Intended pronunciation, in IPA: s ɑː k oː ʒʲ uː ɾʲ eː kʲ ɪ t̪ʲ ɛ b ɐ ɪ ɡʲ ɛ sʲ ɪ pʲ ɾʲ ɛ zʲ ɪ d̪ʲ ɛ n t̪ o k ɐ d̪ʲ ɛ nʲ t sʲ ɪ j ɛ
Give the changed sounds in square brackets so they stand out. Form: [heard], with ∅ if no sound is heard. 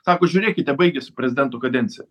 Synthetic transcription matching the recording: s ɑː k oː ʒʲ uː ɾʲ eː kʲ ɪ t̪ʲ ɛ b ɐ ɪ ɡʲ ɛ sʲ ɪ pʲ ɾʲ ɛ zʲ ɪ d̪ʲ ɛ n t̪ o k ɐ d̪ʲ ɛ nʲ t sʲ ɪ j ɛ